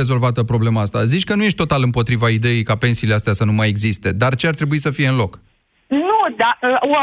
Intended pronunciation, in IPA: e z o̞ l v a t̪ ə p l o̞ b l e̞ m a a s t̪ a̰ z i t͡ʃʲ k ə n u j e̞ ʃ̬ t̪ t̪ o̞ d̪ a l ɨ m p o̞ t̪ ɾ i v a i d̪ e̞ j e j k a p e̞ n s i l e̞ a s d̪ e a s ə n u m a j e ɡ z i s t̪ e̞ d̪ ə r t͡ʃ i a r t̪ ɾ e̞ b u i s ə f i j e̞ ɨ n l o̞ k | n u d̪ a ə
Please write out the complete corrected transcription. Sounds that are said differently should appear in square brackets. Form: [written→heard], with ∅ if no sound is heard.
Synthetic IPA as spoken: e z o̞ l v a t̪ ə p [l→ɾ] o̞ b l e̞ m a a s t̪ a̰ z i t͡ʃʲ k ə n u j e̞ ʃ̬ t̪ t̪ o̞ [d̪→t̪] a l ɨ m p o̞ t̪ ɾ i v a i d̪ e̞ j e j k a p e̞ n s i l e̞ a s [d̪→t̪] e a s ə n u m a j e ɡ z i s t̪ e̞ d̪ [ə→a] r t͡ʃ [i→e] a r t̪ ɾ e̞ b u i s ə f i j e̞ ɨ n l o̞ k | n u d̪ a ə